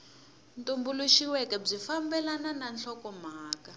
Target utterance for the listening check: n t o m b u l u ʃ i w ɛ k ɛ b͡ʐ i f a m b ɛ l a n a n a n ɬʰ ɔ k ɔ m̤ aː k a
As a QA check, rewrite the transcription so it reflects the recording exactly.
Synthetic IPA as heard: n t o m b u l u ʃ i w ɛ k ɛ b͡ʐ i f a m b ɛ l a n a n a n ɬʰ ɔ k ɔ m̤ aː k a